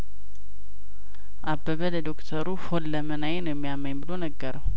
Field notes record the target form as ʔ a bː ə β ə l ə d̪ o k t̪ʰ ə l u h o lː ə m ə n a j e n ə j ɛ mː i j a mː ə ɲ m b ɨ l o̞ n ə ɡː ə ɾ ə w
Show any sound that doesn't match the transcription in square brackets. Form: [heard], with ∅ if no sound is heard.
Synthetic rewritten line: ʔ a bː ə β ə l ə d̪ o k t̪ʰ ə [ɾ] u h o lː ə m ə n a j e n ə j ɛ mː i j a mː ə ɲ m b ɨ l o̞ n ə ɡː ə ɾ ə w